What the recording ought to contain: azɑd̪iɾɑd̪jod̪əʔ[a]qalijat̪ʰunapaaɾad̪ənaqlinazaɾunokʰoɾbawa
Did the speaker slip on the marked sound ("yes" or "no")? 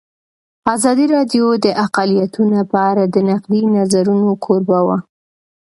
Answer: no